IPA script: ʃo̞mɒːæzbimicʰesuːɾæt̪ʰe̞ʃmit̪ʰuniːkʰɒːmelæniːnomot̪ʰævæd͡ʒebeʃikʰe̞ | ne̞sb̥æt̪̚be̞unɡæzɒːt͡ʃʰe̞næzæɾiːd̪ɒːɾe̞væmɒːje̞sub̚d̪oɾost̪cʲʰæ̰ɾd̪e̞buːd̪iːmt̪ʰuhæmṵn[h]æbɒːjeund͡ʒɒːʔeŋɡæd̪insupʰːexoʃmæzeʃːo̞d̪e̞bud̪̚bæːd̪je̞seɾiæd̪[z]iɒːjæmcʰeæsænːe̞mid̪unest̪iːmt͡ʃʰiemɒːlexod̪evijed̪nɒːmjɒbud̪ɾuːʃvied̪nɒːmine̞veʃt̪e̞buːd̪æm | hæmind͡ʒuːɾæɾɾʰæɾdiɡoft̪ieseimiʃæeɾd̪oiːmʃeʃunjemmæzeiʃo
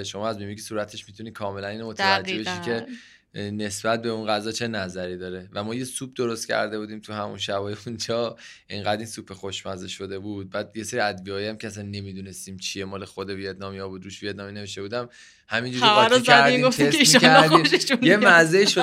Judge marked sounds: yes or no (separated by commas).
no, no